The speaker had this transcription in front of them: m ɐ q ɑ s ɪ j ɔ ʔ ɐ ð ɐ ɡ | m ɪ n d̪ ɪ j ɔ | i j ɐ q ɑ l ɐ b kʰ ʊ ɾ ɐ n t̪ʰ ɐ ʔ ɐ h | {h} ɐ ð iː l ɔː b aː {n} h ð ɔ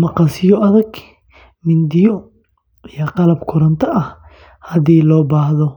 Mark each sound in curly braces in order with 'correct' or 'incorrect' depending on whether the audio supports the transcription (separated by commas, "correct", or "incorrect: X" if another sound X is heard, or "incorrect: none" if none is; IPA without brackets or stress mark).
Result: correct, incorrect: none